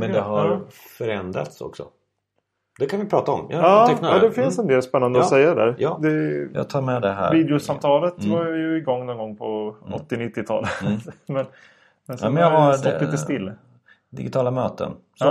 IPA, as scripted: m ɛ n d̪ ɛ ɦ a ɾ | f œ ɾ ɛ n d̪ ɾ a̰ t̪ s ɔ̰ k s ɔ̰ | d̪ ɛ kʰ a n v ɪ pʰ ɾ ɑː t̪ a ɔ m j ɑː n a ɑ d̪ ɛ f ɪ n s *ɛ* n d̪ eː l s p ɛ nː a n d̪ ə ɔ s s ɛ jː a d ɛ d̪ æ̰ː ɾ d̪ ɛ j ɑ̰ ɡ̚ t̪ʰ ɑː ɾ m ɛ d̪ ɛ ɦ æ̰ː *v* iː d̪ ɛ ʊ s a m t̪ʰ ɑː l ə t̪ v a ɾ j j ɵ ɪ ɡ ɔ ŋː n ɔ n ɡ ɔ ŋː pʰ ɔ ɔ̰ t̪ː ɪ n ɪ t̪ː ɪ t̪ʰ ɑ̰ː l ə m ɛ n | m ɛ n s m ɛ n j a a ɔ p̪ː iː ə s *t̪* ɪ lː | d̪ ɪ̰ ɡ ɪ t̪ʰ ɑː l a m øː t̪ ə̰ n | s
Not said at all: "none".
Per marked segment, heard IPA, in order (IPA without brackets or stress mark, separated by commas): ɛ, v, t̪